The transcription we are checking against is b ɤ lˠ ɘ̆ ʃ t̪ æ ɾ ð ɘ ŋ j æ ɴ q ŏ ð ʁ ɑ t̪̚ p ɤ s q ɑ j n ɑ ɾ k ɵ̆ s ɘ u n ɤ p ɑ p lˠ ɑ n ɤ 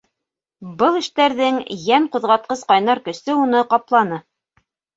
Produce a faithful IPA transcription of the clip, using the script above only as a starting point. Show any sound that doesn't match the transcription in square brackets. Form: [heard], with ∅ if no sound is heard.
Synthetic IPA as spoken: b ɤ lˠ ɘ̆ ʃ t̪ æ ɾ ð ɘ ŋ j æ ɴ q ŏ ð ʁ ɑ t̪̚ [q] ɤ s q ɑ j n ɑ ɾ k ɵ̆ s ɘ u n ɤ [q] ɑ p lˠ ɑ n ɤ